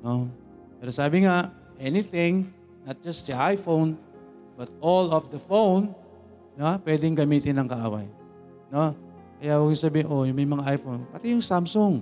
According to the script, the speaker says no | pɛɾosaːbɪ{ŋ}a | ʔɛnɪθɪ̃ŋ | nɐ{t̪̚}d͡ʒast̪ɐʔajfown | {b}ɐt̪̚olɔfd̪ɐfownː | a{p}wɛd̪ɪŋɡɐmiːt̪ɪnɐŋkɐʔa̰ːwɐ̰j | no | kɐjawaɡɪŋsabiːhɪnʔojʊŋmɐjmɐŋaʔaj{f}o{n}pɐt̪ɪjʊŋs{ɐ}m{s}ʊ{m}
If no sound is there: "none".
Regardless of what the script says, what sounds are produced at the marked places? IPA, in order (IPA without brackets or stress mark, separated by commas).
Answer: ŋ, t̪̚, b, p, f, n, a, s, ŋ